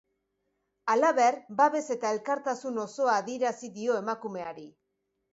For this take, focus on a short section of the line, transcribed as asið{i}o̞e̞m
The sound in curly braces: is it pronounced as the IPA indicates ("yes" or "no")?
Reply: yes